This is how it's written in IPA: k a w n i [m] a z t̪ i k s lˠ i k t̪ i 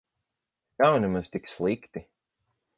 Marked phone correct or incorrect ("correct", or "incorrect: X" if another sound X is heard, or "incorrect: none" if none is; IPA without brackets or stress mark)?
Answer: correct